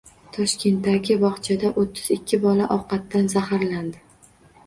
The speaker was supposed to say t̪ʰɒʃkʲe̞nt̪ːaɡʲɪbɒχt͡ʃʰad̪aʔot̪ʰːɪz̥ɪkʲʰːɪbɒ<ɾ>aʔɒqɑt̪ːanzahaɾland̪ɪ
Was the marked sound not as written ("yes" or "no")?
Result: yes